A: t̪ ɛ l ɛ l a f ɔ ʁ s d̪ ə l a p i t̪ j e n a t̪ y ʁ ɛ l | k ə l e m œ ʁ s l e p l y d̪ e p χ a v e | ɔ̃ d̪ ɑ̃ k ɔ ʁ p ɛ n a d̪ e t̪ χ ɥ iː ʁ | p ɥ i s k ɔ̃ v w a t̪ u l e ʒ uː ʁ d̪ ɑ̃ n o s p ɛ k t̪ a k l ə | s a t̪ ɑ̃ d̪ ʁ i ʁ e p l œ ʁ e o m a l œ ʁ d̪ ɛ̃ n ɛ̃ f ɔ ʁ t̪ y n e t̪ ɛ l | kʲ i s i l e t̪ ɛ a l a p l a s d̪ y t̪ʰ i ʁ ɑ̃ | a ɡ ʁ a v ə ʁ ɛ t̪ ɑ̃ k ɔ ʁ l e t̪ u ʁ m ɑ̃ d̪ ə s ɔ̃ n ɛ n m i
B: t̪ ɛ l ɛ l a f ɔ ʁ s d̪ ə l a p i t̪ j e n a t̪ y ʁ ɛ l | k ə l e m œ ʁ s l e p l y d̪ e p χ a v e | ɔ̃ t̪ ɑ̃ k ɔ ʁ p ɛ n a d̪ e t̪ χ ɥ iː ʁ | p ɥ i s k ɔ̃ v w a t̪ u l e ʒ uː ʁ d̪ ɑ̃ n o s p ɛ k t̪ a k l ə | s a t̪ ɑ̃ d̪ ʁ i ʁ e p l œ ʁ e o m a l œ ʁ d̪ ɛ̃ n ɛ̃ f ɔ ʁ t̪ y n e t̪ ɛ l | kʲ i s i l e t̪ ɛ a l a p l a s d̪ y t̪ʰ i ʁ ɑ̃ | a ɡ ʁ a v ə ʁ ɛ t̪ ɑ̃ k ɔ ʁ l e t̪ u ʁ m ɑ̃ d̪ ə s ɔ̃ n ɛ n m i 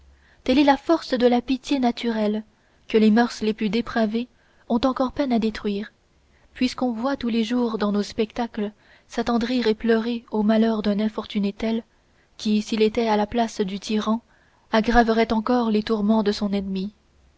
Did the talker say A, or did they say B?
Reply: B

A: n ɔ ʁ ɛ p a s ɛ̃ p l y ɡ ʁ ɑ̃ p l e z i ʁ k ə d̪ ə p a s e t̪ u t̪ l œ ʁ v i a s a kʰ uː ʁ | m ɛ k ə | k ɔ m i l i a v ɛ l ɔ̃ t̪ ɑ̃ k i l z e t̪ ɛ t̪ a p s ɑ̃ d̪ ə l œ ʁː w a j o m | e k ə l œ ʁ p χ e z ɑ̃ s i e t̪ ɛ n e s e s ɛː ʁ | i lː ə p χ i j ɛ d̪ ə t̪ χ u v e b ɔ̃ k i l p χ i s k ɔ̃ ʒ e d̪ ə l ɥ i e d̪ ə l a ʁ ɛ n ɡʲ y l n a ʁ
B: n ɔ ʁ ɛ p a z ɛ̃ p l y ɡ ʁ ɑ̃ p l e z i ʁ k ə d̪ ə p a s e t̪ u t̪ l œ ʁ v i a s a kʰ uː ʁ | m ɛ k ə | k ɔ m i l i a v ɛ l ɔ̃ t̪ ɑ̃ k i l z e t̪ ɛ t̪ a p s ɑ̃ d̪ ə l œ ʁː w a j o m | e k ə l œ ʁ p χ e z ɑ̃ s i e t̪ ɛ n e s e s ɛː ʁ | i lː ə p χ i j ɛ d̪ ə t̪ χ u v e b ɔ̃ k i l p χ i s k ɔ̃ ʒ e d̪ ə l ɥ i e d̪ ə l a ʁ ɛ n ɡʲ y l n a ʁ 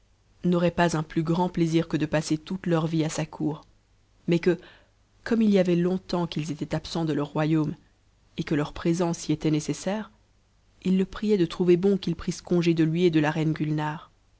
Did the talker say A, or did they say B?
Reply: B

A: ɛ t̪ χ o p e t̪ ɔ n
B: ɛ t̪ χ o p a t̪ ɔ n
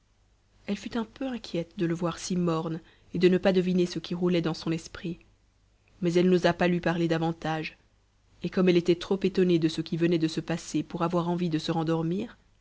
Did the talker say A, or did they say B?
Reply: A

